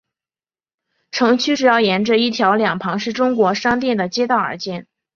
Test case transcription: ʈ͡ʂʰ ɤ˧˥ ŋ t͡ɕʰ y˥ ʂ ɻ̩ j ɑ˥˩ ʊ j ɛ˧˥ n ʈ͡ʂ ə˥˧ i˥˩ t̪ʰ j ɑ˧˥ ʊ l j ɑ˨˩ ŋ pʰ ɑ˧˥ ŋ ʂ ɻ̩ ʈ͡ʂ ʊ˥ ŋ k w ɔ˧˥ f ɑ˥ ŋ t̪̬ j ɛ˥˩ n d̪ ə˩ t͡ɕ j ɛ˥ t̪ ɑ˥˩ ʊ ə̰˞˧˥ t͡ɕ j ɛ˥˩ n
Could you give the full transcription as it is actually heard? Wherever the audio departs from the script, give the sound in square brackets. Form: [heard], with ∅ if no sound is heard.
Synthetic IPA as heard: ʈ͡ʂʰ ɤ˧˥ ŋ t͡ɕʰ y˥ [ʈ͡ʂ] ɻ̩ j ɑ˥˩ ʊ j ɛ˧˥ n ʈ͡ʂ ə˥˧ i˥˩ t̪ʰ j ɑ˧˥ ʊ l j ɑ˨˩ ŋ pʰ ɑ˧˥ ŋ ʂ ɻ̩ ʈ͡ʂ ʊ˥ ŋ k w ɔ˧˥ [ʂ] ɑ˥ ŋ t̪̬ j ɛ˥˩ n d̪ ə˩ t͡ɕ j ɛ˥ t̪ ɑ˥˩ ʊ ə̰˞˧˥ t͡ɕ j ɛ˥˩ n